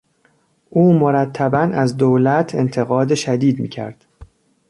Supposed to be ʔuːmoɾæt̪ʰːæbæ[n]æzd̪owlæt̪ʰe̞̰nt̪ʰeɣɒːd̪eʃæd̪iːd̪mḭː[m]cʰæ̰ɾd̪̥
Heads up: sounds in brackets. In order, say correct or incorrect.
correct, incorrect: none

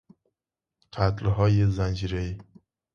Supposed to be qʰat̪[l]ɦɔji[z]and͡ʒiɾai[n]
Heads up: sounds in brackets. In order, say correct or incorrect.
correct, correct, incorrect: none

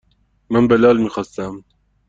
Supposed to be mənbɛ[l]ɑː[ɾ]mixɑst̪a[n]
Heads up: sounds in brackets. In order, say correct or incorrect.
correct, incorrect: l, incorrect: m

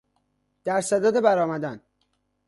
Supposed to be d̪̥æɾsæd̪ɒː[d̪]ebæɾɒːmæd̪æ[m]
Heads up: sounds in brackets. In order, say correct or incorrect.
correct, incorrect: n

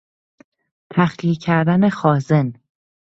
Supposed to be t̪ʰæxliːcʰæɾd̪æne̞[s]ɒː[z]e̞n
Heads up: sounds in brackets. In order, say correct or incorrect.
incorrect: x, correct

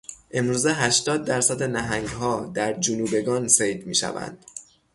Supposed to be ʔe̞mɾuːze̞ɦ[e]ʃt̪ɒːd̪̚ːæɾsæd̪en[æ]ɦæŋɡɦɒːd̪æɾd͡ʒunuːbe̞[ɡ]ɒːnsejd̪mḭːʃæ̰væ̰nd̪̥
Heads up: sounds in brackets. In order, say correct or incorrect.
incorrect: æ, correct, correct

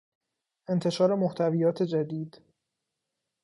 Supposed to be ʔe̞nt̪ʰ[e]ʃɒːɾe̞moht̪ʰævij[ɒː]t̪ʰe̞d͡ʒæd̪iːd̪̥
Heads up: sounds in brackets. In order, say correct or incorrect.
correct, correct

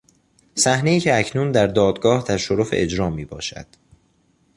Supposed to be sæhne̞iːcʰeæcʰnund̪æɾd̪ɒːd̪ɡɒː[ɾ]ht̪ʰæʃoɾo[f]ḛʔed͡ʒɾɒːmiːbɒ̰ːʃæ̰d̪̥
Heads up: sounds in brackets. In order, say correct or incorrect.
incorrect: none, correct

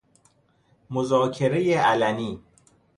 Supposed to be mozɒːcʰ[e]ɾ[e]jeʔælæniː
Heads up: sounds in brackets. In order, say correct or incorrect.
correct, correct

